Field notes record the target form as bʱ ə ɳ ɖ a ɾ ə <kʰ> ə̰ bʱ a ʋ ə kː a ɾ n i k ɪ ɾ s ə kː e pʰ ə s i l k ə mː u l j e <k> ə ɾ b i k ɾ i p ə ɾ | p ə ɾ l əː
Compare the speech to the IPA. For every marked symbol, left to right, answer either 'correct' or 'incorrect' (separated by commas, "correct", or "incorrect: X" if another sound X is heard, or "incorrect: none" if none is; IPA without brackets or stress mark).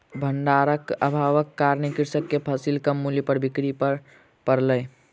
incorrect: k, incorrect: p